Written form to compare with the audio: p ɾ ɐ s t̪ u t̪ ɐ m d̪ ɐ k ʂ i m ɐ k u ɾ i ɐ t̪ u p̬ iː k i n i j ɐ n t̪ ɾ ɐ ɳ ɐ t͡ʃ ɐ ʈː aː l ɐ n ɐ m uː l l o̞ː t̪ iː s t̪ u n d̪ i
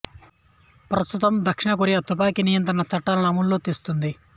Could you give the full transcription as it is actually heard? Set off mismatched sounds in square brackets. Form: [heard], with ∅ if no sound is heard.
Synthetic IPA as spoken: p ɾ ɐ s t̪ u t̪ ɐ m d̪ ɐ k ʂ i [ɳ] ɐ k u ɾ i ɐ t̪ u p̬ [aː] k i n i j ɐ n t̪ ɾ ɐ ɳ ɐ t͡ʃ ɐ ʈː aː l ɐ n ɐ m [u] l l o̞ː t̪ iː s t̪ u n d̪ i